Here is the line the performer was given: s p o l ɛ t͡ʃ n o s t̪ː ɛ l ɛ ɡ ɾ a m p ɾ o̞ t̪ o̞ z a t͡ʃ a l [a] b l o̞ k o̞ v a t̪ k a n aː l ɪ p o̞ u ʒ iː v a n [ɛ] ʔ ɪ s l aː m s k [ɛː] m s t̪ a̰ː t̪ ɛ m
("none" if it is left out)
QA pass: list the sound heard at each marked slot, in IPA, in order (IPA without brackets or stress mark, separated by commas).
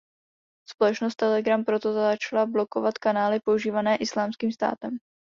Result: a, ɛː, iː